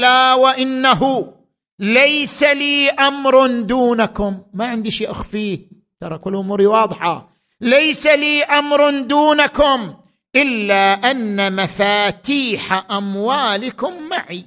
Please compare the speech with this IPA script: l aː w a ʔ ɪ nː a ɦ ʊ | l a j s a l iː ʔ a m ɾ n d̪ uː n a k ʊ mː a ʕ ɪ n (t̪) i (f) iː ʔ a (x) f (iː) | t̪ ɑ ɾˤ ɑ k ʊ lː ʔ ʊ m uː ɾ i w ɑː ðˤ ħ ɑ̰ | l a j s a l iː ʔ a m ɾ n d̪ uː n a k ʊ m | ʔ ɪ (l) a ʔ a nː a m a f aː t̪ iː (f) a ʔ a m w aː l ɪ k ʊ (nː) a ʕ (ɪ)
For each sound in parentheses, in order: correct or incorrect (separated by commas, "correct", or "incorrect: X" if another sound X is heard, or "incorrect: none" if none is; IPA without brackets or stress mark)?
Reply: incorrect: d̪, incorrect: ʃ, correct, correct, incorrect: lː, incorrect: ħ, incorrect: mː, incorrect: i